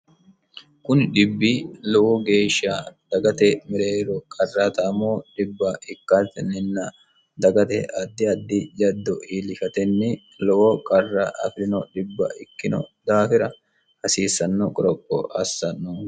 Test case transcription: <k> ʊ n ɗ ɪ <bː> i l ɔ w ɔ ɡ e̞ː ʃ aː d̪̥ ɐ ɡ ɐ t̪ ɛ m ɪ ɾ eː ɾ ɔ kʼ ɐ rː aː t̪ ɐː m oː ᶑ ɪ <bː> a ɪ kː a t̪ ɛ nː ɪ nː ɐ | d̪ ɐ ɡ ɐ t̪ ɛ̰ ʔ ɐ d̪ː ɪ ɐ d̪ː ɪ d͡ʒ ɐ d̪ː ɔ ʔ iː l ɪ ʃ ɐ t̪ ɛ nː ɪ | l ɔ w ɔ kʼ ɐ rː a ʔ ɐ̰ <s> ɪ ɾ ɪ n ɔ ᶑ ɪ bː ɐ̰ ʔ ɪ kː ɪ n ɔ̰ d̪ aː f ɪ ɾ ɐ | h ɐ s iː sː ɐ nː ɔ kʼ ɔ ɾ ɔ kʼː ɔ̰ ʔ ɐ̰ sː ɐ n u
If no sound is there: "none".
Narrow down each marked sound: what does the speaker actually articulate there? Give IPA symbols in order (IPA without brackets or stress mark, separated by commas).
k, bː, bː, f